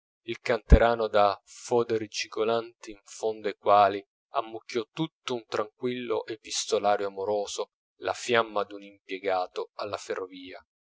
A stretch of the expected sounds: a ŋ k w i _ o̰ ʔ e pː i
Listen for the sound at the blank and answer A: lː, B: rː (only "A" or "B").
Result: A